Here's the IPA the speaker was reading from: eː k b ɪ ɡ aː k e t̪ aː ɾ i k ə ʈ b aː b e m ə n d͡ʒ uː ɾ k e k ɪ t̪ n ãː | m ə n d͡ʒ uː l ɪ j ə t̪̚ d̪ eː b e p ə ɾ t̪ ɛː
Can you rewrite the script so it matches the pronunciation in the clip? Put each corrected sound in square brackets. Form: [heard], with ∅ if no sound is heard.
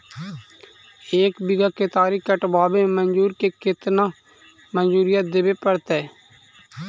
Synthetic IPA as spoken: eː k b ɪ ɡ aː k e t̪ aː ɾ i k ə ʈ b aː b e m ə n d͡ʒ uː ɾ k e k ɪ t̪ n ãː | m ə n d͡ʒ uː [ɾ] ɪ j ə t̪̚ d̪ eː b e p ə ɾ t̪ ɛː

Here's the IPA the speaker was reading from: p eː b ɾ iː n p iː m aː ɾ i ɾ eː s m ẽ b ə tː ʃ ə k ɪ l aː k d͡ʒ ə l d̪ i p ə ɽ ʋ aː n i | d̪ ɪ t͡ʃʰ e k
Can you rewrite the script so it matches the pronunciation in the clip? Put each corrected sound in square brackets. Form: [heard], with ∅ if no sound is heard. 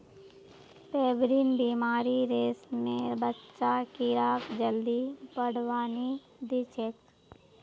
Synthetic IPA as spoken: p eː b ɾ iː n [b] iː m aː ɾ i ɾ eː s m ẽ b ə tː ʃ [a] k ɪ [ɾ] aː k d͡ʒ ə l d̪ i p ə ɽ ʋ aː n i | d̪ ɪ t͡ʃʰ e k

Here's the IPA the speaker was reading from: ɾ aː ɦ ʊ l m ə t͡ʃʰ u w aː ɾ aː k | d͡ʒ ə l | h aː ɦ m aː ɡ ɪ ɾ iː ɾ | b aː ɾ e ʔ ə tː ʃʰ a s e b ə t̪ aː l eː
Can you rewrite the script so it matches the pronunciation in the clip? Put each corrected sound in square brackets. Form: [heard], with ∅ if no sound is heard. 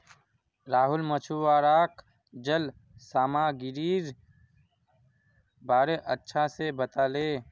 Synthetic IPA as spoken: ɾ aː ɦ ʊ l m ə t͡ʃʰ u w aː ɾ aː k | d͡ʒ ə l | [s] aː [∅] m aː ɡ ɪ ɾ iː ɾ | b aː ɾ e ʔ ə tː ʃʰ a s e b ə t̪ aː l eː

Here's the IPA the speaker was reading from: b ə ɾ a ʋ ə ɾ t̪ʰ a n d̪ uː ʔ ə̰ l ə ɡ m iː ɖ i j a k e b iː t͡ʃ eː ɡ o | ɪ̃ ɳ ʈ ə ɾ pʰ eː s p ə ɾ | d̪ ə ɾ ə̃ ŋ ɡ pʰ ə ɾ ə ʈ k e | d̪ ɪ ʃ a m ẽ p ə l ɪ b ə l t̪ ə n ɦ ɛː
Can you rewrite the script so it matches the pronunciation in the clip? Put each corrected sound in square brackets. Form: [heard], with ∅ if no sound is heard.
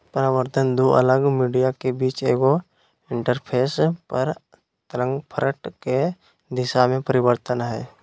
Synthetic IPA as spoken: [p] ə ɾ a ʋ ə ɾ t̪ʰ [ə] n d̪ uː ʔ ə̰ l ə ɡ m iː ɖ i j a k e b iː t͡ʃ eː ɡ o | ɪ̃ ɳ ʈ ə ɾ pʰ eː s p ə ɾ | [t̪] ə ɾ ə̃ ŋ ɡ pʰ ə ɾ ə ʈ k e | d̪ ɪ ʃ a m ẽ p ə [ɾ] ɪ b ə [ɾ] t̪ ə n ɦ ɛː

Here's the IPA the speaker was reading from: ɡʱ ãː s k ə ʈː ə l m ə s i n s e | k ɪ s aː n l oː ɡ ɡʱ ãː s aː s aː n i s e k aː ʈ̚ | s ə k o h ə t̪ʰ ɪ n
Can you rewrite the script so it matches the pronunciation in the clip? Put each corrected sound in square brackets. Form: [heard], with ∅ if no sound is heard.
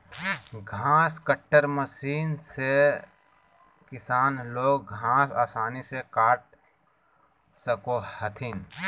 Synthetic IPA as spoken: ɡʱ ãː s k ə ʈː ə [ɾ] m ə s [iː] n s e | k ɪ s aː n l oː ɡ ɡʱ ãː s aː s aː n i s e k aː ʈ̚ | s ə k o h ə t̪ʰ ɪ n

